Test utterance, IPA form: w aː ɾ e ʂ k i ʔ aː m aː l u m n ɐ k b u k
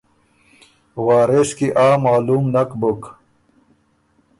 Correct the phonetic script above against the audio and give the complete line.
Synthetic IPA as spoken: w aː ɾ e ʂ k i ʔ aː m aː l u m n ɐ k b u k